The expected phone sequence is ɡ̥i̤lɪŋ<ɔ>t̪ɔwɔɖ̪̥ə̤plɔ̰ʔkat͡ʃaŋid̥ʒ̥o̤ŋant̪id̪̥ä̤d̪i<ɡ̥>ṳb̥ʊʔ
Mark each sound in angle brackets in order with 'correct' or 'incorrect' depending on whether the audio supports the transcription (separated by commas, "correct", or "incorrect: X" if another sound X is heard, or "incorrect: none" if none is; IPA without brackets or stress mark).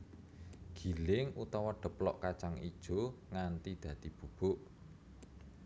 incorrect: u, incorrect: b̥